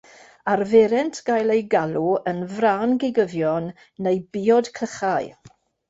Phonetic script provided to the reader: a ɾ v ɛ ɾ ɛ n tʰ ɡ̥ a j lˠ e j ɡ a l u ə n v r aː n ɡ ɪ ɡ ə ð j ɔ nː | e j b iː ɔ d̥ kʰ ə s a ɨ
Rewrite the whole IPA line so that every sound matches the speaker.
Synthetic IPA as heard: a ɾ v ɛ ɾ ɛ n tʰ ɡ̥ a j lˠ e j ɡ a l u ə n v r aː n ɡ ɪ ɡ ə v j ɔ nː | e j b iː ɔ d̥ kʰ ə χ a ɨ